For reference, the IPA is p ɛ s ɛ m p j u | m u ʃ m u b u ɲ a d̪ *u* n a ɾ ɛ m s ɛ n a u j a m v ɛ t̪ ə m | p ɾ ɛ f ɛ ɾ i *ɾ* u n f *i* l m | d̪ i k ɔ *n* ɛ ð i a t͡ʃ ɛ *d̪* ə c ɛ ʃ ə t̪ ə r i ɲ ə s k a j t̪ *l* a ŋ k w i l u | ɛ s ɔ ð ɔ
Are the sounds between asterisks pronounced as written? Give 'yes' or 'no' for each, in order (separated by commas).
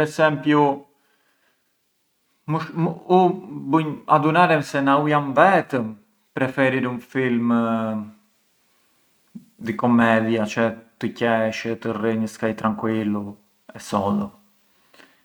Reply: yes, yes, yes, no, no, no